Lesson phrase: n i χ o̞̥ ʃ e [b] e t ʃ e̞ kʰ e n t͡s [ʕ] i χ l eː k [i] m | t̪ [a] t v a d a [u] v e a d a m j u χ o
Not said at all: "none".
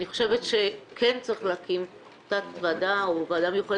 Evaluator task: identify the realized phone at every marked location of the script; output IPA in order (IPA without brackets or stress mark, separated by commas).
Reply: v, ʁ, i, a, o